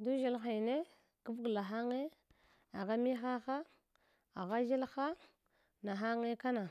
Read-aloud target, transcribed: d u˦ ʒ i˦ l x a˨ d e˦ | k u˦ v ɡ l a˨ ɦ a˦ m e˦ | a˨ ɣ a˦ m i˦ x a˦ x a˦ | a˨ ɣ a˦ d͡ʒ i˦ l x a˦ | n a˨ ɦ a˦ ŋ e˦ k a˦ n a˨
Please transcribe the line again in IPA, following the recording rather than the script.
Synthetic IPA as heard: d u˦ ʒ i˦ l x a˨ n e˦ | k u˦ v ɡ l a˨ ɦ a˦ ŋ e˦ | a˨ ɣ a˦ m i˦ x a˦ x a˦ | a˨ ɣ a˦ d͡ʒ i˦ l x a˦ | n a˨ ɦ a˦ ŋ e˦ k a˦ n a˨